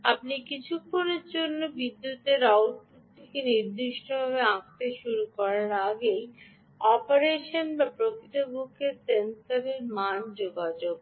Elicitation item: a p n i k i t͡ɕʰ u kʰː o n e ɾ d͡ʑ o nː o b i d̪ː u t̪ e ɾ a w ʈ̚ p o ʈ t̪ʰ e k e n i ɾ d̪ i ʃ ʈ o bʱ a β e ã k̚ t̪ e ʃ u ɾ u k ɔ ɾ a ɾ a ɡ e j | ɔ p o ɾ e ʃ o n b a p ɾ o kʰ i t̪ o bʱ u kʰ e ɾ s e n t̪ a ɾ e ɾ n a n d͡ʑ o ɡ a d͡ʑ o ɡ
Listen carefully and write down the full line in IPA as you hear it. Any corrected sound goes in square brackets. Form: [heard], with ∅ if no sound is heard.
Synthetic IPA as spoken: a p n i k i t͡ɕʰ u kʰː o n e ɾ d͡ʑ o nː o b i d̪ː u t̪ e ɾ a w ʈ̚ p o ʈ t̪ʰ e k e n i ɾ d̪ i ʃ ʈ o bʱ a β e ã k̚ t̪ e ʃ u ɾ u k ɔ ɾ a ɾ a ɡ e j | ɔ p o ɾ e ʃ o n b a p ɾ o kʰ i t̪ o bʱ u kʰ e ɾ s e n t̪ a ɾ e ɾ [m] a n d͡ʑ o ɡ a d͡ʑ o ɡ